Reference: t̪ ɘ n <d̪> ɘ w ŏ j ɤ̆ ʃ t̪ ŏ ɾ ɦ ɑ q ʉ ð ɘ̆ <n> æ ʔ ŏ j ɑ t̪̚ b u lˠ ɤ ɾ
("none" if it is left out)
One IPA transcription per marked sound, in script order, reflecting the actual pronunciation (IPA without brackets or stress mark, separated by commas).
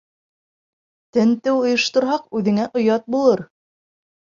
t̪, ŋ